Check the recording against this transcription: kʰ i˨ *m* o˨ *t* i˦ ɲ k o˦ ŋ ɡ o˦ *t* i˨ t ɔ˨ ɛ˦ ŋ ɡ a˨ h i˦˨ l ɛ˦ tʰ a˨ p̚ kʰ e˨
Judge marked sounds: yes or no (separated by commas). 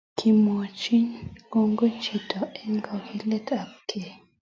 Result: yes, no, no